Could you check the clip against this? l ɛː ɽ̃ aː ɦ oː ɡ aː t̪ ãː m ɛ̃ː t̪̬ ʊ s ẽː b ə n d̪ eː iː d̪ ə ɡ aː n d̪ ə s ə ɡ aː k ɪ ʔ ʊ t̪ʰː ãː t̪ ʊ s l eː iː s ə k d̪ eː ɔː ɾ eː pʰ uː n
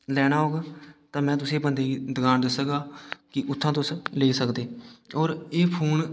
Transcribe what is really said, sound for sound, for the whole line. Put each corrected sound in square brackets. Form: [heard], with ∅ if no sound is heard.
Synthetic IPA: l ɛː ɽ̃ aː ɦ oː ɡ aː t̪ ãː m ɛ̃ː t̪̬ ʊ s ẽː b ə n d̪ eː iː d̪ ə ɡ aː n d̪ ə s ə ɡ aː k ɪ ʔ ʊ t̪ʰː ãː t̪ ʊ s l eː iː s ə k d̪ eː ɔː ɾ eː pʰ uː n